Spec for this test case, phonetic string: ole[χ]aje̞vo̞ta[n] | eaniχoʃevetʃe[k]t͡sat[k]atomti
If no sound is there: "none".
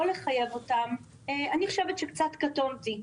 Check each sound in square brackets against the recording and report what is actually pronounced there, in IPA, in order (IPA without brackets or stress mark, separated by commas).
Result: χ, m, k, k